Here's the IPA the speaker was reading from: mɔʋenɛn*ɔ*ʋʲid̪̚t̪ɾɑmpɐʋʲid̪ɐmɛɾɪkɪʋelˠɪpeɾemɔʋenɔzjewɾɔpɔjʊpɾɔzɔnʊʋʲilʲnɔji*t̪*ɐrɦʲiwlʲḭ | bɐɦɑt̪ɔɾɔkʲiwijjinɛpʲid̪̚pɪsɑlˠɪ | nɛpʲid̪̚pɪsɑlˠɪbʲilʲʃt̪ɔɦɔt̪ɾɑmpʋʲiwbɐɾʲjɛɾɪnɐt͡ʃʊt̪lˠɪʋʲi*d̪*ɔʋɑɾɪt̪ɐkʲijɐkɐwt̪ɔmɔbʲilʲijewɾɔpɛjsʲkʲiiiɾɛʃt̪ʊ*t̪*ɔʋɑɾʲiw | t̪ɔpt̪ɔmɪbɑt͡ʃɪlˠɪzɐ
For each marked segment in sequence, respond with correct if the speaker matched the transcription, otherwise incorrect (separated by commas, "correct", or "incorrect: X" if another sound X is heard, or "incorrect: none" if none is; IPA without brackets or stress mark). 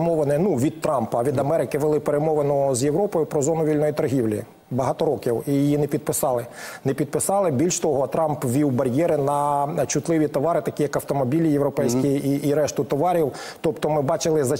incorrect: u, correct, incorrect: t̪, correct